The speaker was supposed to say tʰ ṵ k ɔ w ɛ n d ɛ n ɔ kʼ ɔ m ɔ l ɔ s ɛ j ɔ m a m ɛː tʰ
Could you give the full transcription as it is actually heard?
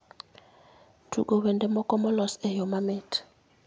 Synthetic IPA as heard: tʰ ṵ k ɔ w ɛ n d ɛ m ɔ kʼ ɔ m ɔ l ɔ s ɛ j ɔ m a m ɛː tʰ